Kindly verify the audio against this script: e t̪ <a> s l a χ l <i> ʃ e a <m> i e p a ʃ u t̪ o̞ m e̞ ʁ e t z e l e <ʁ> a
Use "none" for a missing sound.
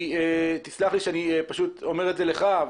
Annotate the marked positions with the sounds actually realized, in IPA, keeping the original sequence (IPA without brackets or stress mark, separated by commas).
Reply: i, i, n, χ